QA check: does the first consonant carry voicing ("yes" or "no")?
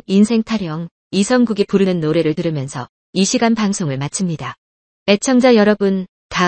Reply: yes